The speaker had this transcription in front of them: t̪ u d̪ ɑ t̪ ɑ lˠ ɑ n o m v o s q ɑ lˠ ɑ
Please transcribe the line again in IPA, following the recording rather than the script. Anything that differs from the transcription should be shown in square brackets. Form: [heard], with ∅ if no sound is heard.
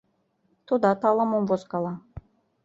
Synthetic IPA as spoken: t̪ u d̪ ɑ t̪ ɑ lˠ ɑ [m] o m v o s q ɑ lˠ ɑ